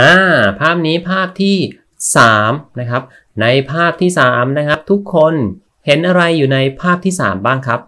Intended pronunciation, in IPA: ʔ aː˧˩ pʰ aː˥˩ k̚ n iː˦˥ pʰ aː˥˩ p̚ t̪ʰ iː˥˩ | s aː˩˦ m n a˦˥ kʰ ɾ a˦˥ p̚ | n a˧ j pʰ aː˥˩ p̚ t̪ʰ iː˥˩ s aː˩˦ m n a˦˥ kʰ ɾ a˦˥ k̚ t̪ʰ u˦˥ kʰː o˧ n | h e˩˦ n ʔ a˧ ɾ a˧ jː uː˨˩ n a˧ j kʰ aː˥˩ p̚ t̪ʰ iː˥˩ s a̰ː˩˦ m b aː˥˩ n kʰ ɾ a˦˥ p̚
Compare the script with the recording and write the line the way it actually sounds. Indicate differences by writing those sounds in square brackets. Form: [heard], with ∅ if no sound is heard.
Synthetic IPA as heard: ʔ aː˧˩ pʰ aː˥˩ [p̚] n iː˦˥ pʰ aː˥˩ p̚ t̪ʰ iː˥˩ | s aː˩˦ m n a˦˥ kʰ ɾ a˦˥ p̚ | n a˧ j pʰ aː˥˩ p̚ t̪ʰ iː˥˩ s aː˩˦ m n a˦˥ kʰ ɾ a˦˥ [p̚] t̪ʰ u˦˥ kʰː o˧ n | h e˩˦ n ʔ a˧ ɾ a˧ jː uː˨˩ n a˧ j [pʰ] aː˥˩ p̚ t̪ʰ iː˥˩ s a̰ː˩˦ m b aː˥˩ [ŋ] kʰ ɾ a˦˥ p̚